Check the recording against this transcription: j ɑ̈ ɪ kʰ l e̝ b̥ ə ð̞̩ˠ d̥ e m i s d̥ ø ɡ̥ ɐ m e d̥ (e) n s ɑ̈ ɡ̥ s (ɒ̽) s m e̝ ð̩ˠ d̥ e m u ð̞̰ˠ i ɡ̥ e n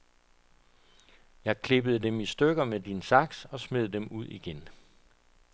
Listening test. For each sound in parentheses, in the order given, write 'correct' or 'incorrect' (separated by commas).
incorrect, correct